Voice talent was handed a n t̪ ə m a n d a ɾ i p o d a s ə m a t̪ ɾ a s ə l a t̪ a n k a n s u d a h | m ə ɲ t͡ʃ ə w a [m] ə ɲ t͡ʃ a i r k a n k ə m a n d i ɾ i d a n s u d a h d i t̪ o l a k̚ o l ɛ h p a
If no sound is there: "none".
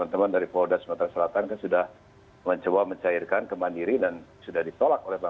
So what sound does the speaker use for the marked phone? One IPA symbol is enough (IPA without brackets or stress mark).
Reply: m